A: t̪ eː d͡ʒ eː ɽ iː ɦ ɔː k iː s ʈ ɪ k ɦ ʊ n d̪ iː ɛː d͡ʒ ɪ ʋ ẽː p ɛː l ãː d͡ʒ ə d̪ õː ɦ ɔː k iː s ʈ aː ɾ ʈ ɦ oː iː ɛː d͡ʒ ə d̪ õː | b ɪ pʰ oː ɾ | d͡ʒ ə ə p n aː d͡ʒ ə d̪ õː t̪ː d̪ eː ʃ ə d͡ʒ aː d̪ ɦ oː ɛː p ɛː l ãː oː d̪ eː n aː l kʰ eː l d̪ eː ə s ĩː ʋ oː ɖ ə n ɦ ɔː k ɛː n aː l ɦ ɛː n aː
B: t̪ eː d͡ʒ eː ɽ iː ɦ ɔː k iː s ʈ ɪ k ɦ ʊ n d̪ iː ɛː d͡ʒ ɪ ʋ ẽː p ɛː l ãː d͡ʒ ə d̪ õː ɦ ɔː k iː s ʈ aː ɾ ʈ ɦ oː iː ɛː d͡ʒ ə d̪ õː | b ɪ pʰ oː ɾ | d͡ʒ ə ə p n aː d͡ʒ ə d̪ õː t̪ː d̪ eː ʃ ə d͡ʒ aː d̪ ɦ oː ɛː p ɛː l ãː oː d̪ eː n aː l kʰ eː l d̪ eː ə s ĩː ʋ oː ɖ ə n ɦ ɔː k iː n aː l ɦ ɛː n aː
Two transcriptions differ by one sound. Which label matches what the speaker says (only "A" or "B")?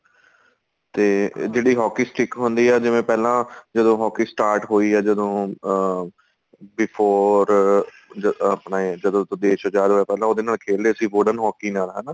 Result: B